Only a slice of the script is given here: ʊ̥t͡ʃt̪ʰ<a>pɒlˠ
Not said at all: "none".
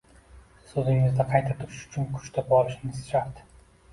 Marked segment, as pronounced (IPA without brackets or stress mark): a